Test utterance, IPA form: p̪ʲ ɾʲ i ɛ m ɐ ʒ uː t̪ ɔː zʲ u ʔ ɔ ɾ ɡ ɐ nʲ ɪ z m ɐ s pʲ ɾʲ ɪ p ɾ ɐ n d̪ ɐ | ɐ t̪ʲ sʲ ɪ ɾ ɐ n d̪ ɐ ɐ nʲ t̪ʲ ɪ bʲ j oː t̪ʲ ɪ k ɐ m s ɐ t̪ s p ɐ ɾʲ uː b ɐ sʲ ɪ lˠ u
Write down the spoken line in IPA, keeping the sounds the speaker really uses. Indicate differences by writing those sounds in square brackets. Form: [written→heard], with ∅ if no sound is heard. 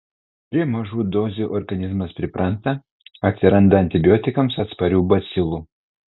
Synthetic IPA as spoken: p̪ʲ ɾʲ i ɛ m ɐ ʒ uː [t̪→d̪] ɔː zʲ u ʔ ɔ ɾ ɡ ɐ nʲ ɪ z m ɐ s pʲ ɾʲ ɪ p ɾ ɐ n [d̪→t̪] ɐ | ɐ t̪ʲ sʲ ɪ ɾ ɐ n d̪ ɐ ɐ nʲ t̪ʲ ɪ bʲ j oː t̪ʲ ɪ k ɐ m s ɐ t̪ s p ɐ ɾʲ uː b ɐ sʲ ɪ lˠ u